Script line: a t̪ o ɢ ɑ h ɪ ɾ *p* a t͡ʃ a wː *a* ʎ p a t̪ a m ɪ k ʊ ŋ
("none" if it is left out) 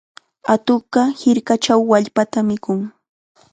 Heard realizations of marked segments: k, a

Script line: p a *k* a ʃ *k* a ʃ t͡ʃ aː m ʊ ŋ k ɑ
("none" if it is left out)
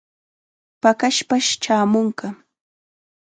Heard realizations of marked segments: k, p

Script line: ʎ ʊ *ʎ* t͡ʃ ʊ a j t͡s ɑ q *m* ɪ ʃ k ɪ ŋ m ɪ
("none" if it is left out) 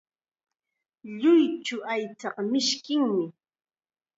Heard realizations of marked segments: j, m

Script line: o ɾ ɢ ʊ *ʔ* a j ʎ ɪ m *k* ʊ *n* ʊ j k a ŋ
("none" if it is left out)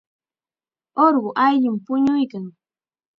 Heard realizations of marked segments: ʔ, p, ɲ

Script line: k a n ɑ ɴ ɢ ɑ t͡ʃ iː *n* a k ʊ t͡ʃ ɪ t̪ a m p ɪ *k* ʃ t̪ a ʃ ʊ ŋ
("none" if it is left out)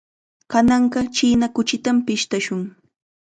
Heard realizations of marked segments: n, none

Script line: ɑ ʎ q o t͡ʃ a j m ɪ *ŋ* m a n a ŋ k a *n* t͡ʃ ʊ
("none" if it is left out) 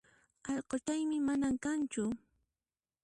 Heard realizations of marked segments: none, n

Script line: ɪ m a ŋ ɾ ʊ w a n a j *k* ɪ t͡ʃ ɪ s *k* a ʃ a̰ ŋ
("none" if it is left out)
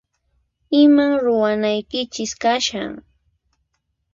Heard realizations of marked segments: k, k

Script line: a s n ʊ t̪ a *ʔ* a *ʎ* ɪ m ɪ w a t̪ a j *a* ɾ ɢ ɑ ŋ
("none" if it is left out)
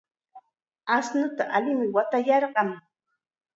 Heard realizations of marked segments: ʔ, l, ɑ

